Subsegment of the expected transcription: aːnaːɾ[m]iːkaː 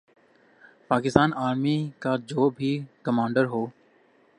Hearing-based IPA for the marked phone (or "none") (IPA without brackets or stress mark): m